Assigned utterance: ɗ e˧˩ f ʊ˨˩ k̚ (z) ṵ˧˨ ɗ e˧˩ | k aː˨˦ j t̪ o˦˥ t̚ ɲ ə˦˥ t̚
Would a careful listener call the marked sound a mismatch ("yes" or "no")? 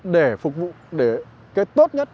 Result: yes